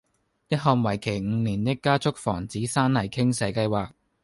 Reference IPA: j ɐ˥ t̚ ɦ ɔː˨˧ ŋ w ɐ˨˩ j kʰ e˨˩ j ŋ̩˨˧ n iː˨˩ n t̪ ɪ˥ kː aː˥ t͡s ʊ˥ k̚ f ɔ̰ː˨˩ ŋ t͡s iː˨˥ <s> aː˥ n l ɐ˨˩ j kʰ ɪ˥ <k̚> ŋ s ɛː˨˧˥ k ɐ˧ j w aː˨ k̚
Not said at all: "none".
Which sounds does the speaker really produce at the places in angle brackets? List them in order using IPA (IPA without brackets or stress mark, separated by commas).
s, none